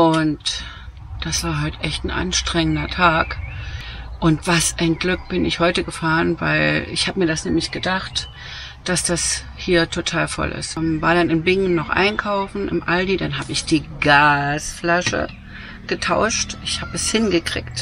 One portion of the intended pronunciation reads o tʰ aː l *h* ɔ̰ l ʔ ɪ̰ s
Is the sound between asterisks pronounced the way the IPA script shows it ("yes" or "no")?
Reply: no